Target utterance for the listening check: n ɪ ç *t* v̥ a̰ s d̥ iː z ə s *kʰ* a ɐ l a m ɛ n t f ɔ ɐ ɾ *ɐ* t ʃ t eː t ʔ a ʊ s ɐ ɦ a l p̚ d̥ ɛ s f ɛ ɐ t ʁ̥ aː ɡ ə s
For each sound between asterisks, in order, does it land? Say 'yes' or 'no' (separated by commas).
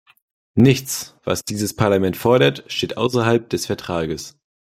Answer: no, no, yes